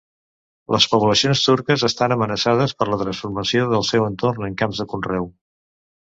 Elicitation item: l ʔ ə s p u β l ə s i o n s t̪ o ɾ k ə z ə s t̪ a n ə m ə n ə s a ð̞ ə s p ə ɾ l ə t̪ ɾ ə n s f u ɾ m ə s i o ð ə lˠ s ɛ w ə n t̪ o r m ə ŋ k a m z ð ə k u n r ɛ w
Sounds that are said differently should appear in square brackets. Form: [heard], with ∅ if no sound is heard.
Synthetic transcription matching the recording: l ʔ ə s p u β l ə s i o n s t̪ [u] ɾ k ə z ə s t̪ a n ə m ə n ə s a ð̞ ə s p ə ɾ l ə t̪ ɾ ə n s f u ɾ m ə s i o ð ə lˠ s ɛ w ə n t̪ o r [n] ə ŋ k a m z ð ə k u n r ɛ w